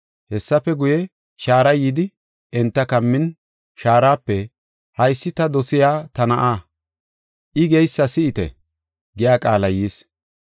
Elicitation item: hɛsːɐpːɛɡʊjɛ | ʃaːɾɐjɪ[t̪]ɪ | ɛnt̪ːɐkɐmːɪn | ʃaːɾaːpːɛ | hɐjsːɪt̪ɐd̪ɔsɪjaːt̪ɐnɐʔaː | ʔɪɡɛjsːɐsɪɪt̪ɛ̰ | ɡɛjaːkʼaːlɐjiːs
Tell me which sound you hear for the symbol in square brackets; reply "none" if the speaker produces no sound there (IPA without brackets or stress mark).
d̪